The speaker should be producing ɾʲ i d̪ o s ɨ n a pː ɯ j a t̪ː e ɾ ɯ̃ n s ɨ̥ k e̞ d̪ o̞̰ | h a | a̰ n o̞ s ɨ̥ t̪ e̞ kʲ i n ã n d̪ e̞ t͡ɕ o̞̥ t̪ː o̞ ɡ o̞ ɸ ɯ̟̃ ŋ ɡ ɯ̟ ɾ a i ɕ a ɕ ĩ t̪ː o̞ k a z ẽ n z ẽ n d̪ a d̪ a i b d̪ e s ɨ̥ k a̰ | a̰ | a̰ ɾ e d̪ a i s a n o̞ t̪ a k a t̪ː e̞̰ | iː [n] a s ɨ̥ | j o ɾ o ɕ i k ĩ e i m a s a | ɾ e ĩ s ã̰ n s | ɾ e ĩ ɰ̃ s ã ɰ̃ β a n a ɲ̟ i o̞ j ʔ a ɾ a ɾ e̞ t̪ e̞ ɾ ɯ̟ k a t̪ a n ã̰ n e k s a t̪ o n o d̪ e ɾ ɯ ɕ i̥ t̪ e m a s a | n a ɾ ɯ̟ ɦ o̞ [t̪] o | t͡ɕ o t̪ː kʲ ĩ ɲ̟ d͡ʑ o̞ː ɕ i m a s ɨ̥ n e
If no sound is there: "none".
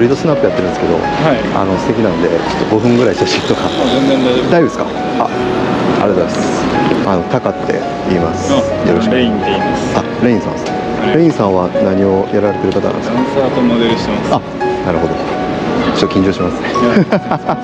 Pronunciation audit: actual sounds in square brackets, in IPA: m, d̪

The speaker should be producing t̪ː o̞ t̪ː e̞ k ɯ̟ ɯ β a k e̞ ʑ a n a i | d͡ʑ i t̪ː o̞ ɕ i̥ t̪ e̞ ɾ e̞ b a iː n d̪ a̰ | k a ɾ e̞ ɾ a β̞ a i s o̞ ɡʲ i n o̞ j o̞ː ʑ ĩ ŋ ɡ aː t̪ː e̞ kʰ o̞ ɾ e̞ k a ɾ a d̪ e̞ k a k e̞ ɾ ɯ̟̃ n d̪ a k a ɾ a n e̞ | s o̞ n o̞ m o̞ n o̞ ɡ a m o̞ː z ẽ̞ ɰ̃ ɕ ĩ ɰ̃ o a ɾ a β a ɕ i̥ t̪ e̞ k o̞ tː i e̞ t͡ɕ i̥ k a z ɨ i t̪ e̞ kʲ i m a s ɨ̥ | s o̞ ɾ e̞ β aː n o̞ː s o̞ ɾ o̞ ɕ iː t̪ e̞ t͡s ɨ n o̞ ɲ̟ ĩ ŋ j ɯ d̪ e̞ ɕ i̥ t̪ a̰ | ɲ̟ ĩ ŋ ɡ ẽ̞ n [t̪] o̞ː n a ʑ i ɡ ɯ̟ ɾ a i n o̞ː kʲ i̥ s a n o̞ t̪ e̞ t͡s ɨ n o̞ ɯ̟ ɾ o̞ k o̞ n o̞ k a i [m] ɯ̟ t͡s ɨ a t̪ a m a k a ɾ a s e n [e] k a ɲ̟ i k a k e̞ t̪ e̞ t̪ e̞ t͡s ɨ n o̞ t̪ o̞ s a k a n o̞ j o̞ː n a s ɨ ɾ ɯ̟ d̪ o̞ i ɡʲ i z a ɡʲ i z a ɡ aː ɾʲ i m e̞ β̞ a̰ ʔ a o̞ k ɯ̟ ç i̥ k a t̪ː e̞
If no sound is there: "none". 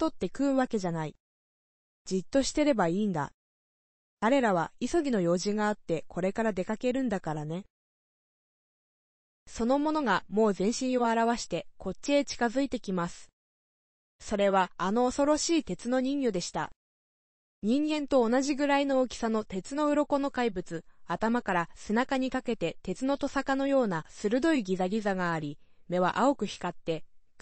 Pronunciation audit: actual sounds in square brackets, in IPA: t̪, b, a

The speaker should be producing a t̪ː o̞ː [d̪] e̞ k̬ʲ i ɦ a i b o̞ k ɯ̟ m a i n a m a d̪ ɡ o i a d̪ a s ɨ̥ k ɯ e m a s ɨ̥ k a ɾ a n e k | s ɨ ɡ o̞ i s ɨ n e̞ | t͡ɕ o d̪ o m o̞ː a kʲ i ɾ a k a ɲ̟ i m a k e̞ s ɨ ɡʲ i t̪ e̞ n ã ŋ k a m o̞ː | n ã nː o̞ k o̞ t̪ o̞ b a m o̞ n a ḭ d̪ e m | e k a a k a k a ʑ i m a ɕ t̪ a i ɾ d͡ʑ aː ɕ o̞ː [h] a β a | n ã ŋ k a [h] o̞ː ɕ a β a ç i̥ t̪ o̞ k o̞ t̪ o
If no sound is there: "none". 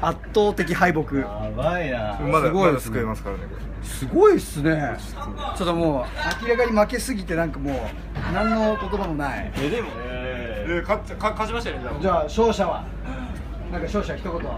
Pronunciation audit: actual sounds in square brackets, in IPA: t̪, ɕ, ɕ

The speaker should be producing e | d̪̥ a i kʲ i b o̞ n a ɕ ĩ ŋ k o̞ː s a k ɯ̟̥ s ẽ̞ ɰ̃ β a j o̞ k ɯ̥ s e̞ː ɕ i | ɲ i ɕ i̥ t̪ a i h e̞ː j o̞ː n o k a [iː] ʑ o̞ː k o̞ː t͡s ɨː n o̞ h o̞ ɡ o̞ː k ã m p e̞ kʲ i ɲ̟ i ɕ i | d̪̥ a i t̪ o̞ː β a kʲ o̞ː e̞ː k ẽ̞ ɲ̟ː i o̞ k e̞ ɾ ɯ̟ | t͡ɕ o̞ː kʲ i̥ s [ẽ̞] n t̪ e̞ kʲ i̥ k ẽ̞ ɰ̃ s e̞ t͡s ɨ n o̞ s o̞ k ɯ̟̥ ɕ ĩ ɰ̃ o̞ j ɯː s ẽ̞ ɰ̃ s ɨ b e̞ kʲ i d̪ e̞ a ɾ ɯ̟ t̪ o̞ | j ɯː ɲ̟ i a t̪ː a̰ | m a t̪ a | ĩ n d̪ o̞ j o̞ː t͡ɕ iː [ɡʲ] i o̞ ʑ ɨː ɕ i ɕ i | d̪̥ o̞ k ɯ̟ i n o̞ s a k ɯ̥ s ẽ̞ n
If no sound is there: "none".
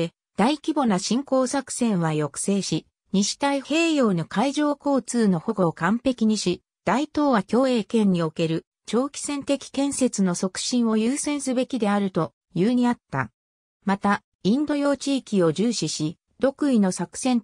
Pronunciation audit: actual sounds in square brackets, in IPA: i, ẽ̞, kʲ

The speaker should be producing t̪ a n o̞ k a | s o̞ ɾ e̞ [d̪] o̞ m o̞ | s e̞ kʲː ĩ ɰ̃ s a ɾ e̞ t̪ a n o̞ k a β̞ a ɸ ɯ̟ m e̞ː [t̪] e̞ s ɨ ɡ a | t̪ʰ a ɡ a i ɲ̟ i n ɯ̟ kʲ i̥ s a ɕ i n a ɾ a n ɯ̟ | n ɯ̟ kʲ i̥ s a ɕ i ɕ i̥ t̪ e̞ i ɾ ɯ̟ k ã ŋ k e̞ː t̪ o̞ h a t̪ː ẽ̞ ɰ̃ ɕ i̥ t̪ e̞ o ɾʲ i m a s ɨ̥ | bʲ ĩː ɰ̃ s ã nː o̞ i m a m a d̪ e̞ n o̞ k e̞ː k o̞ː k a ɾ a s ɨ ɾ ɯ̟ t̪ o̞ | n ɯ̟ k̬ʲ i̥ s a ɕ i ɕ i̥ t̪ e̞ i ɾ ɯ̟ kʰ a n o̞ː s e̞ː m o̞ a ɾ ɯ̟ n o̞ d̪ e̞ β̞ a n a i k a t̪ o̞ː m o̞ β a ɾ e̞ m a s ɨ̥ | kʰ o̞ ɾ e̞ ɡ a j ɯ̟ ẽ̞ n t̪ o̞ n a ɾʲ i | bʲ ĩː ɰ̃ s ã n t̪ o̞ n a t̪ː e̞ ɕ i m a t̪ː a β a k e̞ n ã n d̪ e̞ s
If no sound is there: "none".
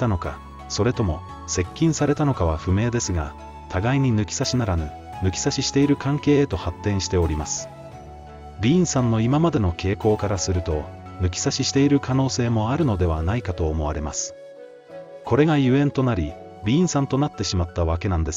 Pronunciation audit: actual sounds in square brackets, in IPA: t̪, d̪

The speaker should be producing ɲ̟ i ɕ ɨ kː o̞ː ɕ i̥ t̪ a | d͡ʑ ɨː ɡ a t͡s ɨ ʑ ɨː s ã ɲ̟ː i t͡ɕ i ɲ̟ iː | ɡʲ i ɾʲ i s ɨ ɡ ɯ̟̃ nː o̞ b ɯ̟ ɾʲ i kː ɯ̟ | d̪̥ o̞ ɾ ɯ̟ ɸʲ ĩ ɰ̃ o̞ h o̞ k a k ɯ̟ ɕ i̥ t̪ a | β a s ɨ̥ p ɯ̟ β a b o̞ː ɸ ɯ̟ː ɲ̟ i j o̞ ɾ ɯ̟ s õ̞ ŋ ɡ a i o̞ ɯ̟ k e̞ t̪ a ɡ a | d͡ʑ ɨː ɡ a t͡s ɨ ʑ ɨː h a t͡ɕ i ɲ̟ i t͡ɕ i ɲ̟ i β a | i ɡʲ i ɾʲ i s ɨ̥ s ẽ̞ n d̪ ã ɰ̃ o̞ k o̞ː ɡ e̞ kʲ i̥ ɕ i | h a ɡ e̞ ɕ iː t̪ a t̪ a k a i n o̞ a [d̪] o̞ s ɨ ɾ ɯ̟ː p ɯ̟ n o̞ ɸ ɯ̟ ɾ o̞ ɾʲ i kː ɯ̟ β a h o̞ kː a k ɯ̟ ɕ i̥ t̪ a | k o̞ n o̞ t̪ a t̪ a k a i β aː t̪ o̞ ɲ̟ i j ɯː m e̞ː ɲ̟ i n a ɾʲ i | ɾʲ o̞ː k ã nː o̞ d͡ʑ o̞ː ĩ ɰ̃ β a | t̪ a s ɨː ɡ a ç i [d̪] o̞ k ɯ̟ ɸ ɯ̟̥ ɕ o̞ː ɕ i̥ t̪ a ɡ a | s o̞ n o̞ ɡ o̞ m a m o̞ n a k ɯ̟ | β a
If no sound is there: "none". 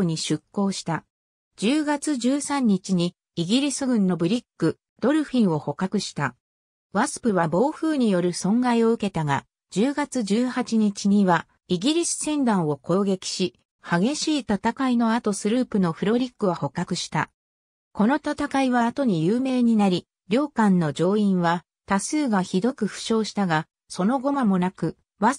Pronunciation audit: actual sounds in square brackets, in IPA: t̪, d̪

